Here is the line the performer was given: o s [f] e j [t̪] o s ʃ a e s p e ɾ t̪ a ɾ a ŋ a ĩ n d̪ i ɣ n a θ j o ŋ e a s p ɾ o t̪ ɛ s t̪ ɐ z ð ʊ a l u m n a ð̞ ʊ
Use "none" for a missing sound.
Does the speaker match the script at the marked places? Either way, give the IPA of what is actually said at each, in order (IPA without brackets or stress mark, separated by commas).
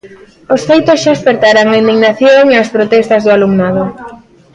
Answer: f, t̪